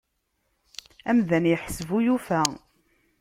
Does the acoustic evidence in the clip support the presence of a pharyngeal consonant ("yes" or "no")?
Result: yes